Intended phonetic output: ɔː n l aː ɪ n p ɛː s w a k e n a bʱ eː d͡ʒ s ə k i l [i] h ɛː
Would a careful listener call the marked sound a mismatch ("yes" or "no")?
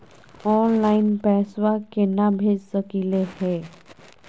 yes